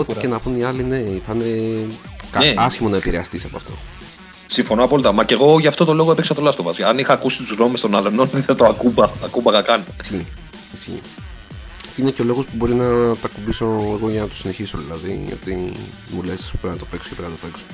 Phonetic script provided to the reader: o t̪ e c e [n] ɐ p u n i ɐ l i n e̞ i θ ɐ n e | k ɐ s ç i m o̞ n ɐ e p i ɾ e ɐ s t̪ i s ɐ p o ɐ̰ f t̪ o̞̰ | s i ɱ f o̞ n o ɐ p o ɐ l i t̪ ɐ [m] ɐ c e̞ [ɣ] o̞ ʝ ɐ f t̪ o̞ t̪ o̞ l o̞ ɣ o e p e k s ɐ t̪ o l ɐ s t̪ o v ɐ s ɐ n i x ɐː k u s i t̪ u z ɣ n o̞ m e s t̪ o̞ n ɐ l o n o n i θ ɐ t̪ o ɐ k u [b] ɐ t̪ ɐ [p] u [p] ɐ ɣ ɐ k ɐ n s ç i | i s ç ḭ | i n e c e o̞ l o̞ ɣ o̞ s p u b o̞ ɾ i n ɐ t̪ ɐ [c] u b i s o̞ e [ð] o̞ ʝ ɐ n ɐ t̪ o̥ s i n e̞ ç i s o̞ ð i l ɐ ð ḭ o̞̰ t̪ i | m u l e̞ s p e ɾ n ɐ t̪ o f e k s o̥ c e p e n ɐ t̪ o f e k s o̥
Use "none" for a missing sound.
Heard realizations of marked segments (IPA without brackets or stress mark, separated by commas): n, m, ɣ, b, k, b, k, ɣ